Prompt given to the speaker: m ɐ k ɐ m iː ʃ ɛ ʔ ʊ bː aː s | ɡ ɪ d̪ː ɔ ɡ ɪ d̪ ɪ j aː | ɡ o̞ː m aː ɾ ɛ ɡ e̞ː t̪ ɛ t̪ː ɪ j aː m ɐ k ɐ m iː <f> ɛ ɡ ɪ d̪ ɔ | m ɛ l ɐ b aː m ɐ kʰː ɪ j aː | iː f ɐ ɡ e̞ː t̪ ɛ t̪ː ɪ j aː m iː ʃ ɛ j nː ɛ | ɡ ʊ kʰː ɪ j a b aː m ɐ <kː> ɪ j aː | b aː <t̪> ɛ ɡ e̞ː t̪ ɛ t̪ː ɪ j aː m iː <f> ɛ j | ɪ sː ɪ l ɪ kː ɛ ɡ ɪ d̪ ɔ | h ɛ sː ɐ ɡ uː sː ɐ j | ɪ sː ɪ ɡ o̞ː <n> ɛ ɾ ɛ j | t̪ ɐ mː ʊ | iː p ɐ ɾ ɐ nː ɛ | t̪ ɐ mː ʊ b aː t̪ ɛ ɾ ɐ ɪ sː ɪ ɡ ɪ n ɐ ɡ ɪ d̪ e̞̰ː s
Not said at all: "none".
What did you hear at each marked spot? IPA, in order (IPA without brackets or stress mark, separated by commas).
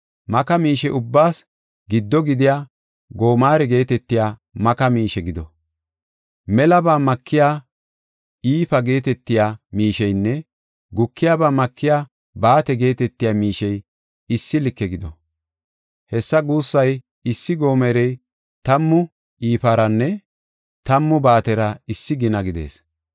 ʃ, kː, t̪, ʃ, m